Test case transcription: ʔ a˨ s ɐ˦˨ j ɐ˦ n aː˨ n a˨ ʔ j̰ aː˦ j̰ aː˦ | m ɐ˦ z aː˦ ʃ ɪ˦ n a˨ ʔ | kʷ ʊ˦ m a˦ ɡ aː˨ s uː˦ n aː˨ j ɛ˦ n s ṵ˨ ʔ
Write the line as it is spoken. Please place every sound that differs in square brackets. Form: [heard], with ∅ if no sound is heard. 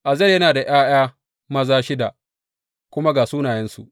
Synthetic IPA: ʔ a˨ [z] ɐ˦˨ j ɐ˦ n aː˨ [d] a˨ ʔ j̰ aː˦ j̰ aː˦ | m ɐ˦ z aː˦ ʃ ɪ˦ [d] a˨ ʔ | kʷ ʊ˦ m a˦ ɡ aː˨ s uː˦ n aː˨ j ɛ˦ n s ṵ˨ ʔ